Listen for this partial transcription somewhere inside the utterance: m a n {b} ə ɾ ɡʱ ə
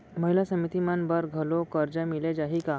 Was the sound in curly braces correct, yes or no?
yes